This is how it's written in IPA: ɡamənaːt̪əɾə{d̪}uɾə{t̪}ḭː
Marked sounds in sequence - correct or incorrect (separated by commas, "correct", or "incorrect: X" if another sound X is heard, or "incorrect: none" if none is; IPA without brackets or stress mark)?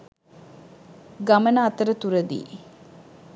incorrect: t̪, incorrect: d̪